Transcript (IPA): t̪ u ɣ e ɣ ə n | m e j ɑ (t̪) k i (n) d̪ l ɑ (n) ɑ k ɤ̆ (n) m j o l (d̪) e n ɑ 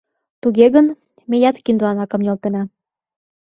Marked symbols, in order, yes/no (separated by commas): yes, yes, yes, no, no